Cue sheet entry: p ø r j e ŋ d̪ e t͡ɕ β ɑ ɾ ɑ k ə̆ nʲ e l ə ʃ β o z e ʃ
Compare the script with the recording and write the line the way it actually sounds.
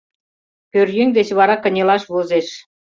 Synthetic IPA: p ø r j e ŋ d̪ e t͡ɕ β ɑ ɾ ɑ k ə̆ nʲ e l ɑ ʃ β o z e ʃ